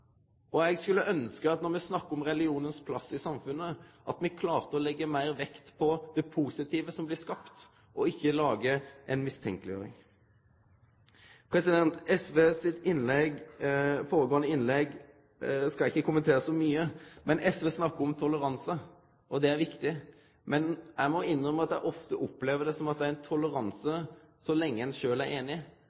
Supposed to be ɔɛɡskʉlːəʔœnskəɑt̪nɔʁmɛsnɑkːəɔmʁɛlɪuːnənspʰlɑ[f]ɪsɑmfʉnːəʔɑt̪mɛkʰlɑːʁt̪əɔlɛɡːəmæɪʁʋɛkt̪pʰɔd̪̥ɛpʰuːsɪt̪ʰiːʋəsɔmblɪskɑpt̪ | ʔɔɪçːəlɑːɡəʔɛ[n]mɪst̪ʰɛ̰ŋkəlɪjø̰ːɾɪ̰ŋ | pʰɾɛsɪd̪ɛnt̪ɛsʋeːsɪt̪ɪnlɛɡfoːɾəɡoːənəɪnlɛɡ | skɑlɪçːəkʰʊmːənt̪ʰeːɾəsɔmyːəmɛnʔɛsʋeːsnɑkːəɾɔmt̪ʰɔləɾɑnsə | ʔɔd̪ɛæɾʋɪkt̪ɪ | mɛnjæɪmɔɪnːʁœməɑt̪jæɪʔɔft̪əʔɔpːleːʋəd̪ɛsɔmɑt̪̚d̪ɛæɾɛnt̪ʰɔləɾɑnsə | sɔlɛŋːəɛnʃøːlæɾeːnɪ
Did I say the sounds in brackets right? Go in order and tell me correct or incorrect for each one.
incorrect: s, correct

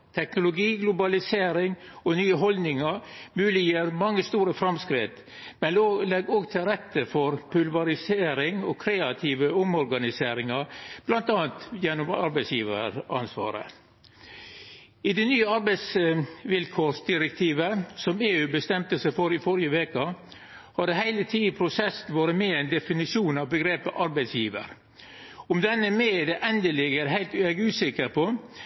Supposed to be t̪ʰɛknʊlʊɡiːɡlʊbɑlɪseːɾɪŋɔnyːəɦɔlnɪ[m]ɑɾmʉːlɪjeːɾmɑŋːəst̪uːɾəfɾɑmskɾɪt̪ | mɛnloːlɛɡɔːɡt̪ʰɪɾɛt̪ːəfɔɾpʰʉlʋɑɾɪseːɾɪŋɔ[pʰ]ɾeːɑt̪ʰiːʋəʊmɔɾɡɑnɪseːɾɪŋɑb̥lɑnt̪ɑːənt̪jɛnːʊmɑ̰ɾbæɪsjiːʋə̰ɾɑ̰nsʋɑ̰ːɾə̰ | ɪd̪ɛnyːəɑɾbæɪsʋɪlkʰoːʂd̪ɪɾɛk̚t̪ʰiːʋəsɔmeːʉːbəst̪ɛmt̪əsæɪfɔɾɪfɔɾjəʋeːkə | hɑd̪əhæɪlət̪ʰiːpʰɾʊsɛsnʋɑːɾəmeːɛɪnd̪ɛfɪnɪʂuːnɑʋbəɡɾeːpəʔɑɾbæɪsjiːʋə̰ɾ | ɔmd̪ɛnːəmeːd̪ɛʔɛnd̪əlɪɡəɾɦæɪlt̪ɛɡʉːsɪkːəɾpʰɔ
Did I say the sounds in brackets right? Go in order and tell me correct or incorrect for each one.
incorrect: ŋ, incorrect: kʰ

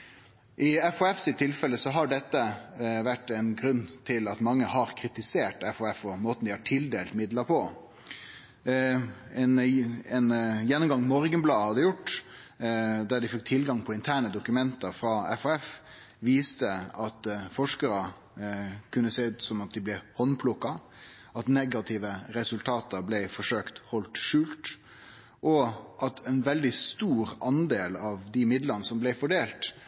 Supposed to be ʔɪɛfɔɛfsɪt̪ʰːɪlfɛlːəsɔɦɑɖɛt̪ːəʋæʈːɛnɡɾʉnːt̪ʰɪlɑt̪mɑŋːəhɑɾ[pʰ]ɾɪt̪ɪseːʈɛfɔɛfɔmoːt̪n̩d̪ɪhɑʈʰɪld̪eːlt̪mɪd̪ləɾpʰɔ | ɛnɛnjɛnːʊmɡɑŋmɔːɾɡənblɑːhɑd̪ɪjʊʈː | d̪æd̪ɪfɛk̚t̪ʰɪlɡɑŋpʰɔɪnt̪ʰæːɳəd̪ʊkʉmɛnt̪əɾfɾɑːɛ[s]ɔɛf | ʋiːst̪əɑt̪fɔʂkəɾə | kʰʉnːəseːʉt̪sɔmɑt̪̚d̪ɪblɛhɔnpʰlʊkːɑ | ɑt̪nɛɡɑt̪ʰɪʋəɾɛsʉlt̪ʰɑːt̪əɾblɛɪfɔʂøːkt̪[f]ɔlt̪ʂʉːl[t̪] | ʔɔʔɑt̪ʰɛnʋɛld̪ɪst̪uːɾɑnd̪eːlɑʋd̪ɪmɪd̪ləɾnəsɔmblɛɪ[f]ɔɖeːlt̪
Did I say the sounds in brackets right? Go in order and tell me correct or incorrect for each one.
incorrect: kʰ, incorrect: f, incorrect: h, correct, correct

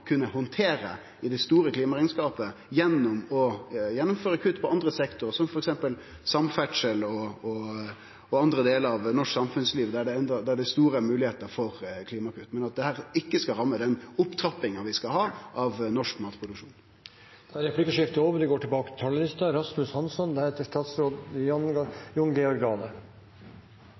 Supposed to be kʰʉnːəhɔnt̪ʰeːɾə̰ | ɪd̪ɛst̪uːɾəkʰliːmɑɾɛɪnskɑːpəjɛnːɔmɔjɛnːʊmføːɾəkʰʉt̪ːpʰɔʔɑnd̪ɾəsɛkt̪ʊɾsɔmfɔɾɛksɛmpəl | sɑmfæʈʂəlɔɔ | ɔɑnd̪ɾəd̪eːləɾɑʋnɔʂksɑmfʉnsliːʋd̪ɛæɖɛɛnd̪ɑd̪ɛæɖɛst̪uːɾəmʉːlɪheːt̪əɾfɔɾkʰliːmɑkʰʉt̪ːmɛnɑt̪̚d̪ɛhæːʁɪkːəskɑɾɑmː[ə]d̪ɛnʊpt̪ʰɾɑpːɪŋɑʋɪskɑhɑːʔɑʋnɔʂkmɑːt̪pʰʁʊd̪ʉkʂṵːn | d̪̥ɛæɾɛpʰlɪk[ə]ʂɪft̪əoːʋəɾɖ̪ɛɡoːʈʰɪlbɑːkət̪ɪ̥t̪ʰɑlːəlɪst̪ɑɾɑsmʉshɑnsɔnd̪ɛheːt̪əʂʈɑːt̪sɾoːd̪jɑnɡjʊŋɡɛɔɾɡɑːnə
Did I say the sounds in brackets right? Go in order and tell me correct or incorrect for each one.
correct, correct

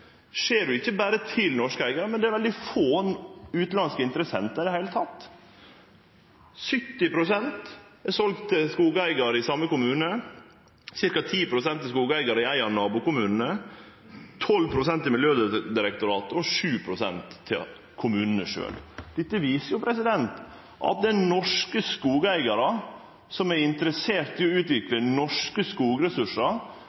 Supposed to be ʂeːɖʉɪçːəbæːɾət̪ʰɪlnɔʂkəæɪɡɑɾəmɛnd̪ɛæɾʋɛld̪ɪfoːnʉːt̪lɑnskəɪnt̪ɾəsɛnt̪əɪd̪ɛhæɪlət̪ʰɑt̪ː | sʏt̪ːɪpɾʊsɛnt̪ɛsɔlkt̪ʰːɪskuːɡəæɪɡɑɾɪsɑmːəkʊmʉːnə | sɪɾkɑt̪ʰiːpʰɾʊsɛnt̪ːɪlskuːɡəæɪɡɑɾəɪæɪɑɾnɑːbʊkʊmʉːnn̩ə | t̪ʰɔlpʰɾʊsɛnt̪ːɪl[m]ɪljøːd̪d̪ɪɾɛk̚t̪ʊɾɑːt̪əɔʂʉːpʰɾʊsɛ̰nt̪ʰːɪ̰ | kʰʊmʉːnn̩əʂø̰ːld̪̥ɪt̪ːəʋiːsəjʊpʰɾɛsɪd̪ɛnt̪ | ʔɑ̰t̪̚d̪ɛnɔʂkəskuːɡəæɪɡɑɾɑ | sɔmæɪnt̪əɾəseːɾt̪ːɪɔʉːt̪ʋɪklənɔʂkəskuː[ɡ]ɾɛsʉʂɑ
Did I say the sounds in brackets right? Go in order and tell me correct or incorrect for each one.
correct, correct

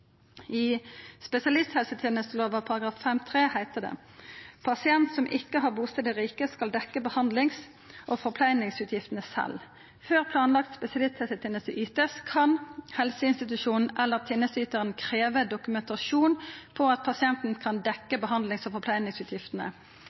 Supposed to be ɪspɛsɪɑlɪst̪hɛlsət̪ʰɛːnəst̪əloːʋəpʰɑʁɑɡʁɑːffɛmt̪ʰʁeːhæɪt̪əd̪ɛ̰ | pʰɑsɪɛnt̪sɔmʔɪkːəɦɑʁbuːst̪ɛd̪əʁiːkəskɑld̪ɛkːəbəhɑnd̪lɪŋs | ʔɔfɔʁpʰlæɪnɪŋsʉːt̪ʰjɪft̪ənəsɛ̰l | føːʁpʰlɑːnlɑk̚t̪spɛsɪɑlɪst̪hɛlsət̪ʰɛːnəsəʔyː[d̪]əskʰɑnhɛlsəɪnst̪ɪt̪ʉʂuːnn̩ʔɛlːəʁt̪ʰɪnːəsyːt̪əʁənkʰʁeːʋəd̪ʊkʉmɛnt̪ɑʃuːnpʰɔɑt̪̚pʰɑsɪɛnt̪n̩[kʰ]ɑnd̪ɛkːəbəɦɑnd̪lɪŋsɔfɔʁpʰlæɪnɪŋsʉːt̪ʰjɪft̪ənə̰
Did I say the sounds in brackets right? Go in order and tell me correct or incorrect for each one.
incorrect: t̪, correct

